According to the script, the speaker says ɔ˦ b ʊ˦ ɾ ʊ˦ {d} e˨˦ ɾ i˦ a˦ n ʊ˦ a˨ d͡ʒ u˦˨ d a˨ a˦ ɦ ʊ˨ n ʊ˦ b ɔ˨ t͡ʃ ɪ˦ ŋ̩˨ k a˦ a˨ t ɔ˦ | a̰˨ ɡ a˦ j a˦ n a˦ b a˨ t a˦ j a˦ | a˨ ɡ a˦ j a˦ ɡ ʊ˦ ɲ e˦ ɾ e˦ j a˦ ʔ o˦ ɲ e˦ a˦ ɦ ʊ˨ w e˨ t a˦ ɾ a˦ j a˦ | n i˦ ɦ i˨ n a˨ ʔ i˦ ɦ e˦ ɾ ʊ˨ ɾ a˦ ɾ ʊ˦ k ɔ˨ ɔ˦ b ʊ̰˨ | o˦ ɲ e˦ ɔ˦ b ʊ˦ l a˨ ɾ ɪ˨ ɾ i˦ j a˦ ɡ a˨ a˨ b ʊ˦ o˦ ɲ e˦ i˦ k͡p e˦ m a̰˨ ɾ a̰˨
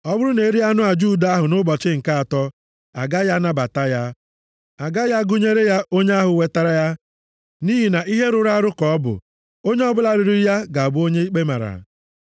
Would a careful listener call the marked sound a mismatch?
yes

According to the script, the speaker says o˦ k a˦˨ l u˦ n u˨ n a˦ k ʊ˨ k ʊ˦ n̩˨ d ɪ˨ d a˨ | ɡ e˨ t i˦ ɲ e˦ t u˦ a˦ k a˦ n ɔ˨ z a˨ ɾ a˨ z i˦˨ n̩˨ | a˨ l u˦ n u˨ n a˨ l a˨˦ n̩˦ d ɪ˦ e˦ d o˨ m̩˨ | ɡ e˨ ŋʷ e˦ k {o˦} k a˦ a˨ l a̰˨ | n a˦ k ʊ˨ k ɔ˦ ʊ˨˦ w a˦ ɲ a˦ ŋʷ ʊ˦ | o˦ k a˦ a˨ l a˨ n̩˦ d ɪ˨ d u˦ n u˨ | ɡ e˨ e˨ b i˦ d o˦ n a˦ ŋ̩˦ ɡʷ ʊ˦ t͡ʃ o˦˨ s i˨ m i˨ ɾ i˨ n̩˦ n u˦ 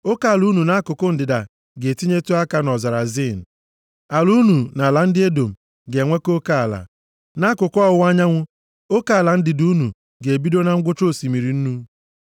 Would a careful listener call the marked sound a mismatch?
no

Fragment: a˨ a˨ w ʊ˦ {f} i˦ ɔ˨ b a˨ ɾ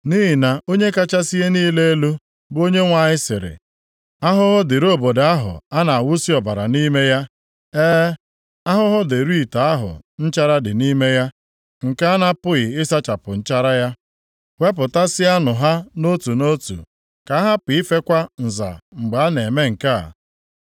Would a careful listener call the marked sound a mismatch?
yes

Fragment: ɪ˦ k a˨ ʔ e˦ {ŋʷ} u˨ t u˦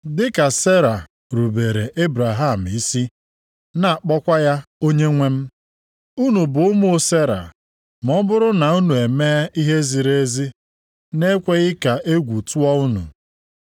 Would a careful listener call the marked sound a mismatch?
yes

